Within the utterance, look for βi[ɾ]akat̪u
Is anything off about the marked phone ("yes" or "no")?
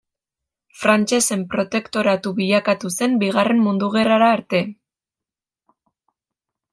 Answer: yes